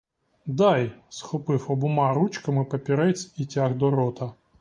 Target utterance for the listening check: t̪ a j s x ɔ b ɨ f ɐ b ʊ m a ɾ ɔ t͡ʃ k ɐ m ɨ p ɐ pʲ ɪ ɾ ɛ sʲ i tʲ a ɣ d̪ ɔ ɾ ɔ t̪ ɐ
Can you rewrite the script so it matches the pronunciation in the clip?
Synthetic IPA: d̪ a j s x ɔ p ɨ f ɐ b ʊ m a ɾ u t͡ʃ k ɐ m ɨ p ɐ pʲ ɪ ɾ ɛ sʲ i tʲ a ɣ d̪ ɔ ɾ ɔ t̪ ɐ